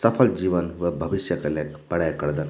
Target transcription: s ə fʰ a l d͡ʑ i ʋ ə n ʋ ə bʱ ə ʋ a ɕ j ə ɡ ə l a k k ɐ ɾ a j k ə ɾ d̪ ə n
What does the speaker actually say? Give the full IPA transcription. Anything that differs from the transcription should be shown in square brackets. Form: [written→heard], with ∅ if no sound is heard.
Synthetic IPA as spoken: s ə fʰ [a→ə] l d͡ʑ i ʋ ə n ʋ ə bʱ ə ʋ [a→i] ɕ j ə [ɡ→k] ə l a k [k→p] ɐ [ɾ→ɽ] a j k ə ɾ d̪ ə n

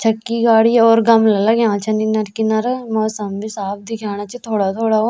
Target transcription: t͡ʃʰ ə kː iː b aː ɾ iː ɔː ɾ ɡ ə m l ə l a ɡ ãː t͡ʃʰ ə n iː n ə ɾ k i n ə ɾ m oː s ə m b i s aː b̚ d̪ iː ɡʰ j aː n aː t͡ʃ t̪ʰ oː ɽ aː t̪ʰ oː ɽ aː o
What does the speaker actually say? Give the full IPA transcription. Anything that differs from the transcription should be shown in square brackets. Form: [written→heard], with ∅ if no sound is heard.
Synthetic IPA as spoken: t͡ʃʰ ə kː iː [b→ɡ] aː [ɾ→ɽ] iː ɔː ɾ ɡ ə m l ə l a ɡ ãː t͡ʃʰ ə n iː n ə ɾ k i n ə ɾ m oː s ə m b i s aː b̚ d̪ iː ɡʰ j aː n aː t͡ʃ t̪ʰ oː ɽ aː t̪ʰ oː ɽ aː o

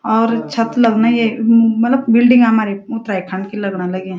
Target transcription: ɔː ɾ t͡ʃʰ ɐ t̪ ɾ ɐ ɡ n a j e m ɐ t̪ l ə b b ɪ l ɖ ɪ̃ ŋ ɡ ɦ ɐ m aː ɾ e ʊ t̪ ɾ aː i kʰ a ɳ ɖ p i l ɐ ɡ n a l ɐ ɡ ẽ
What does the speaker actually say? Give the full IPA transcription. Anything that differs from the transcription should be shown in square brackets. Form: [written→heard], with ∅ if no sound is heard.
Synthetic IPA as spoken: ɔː ɾ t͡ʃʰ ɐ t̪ [ɾ→l] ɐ ɡ n a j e m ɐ t̪ l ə b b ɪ l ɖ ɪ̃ ŋ ɡ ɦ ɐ m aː ɾ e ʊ t̪ ɾ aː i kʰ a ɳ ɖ [p→k] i l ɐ ɡ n a l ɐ ɡ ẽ

